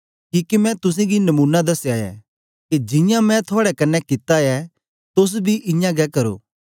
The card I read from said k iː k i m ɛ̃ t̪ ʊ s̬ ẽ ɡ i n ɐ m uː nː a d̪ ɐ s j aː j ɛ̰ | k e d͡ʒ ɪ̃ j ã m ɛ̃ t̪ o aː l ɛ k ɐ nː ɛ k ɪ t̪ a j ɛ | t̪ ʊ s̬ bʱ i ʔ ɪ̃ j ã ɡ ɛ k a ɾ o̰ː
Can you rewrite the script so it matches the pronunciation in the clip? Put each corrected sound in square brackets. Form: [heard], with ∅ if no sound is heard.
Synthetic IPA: k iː k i m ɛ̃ t̪ ʊ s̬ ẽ ɡ i n ɐ m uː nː a d̪ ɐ s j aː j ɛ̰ | k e d͡ʒ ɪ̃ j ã m ɛ̃ [t̪ʰ] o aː [ɽ] ɛ k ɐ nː ɛ k ɪ t̪ a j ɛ | t̪ ʊ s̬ bʱ i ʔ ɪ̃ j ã ɡ ɛ k [ɐ] ɾ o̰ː